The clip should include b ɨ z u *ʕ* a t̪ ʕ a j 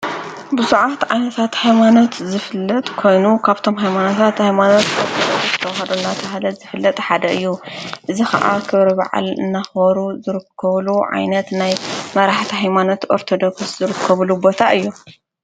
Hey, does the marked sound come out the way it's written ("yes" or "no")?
yes